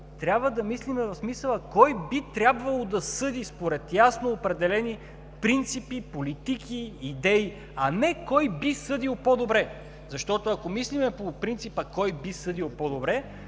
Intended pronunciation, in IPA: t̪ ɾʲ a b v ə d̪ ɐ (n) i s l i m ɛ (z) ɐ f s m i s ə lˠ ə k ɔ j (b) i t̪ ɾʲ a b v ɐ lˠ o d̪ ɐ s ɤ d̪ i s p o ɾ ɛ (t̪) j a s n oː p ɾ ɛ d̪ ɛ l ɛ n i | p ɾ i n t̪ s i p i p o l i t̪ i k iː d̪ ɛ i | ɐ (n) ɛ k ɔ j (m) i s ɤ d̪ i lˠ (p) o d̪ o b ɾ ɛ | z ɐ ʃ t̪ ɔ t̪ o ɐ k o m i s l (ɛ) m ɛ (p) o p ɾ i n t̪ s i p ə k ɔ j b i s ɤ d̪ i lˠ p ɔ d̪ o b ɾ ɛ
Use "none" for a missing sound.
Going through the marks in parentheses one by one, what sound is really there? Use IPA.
m, v, b, t̪, n, b, p, i, p

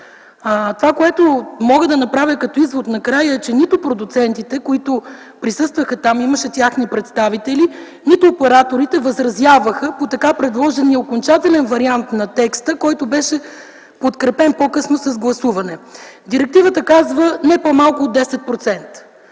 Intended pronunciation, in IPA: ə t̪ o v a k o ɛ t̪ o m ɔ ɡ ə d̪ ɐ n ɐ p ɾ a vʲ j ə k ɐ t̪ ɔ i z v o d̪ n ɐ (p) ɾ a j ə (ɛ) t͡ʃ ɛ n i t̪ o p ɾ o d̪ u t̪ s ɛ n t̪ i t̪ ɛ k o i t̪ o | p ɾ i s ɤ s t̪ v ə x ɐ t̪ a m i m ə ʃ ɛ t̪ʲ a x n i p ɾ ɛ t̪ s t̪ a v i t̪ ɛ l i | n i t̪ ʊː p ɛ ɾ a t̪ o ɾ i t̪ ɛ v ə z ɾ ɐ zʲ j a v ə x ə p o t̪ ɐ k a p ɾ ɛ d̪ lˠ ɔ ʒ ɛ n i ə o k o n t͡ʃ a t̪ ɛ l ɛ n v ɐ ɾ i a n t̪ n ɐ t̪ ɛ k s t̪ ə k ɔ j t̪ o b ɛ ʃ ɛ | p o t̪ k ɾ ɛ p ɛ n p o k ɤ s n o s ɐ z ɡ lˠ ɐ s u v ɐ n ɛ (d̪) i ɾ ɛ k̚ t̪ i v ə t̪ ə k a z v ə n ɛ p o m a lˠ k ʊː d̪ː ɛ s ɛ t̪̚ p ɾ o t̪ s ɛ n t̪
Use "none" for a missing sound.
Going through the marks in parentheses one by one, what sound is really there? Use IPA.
k, ɛ, d̪

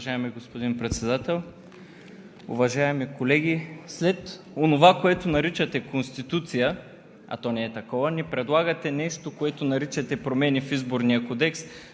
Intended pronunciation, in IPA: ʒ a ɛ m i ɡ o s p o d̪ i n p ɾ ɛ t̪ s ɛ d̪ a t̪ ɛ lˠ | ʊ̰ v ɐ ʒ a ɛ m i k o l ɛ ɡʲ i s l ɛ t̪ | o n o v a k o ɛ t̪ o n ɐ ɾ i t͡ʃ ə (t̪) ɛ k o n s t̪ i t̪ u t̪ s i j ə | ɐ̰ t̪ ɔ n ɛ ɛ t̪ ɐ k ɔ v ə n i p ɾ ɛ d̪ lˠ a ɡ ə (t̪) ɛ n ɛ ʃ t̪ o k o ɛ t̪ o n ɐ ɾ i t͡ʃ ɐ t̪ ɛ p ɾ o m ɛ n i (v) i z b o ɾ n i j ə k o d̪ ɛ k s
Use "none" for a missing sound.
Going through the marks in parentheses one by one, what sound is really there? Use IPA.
t̪, t̪, f

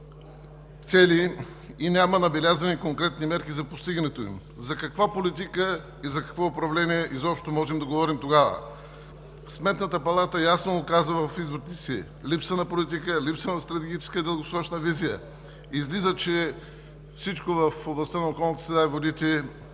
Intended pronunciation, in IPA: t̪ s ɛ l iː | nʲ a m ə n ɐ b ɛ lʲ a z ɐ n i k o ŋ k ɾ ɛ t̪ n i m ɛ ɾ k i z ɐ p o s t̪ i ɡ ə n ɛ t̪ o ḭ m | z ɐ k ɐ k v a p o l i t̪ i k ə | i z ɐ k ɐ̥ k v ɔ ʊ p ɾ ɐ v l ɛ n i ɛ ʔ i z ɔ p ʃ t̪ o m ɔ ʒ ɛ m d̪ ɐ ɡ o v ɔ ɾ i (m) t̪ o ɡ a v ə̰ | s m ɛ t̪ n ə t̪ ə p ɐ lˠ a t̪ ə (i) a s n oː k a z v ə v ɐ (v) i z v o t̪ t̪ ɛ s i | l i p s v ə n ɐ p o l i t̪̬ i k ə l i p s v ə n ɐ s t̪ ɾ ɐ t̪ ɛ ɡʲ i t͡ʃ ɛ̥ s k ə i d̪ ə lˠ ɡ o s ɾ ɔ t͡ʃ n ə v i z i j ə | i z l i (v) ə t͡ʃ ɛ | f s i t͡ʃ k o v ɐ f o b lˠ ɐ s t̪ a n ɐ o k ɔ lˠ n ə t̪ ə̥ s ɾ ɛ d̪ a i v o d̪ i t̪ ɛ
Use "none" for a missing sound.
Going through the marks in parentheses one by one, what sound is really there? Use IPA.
m, j, f, z

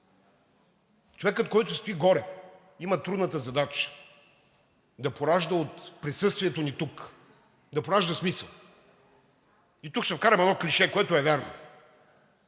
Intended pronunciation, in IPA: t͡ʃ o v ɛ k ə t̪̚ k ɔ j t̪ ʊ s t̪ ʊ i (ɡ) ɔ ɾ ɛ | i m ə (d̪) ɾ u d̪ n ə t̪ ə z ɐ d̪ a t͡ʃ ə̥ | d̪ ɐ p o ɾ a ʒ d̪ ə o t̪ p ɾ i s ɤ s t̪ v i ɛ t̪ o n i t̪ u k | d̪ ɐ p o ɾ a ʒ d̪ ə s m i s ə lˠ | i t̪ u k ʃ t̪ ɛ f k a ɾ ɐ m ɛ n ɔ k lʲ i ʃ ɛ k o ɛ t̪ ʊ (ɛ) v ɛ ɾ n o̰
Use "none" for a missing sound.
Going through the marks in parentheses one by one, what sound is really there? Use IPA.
ɡ, t̪, ɛ

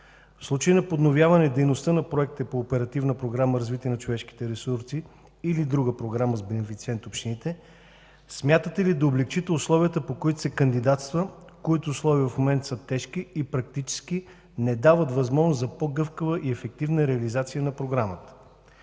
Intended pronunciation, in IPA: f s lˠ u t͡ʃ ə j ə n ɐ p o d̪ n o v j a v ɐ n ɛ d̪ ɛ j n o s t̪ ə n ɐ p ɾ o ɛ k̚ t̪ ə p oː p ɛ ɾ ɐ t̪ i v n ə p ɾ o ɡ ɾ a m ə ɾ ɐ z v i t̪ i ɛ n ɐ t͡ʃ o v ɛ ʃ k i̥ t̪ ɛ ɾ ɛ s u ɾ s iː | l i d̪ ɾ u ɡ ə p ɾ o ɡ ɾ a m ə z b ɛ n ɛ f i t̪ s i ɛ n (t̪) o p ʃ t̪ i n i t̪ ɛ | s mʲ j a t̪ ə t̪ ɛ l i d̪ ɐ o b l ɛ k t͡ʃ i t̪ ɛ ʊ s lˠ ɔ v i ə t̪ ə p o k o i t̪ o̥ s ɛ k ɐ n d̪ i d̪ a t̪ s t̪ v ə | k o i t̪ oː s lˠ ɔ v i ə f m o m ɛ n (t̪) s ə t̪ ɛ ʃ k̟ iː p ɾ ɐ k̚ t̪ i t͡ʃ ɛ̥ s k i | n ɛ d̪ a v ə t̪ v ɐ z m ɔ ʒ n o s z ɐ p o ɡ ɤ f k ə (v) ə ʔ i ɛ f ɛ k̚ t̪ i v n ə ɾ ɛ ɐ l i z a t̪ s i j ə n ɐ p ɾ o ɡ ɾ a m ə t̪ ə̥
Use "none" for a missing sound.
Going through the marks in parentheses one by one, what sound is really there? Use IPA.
t̪, t̪, v

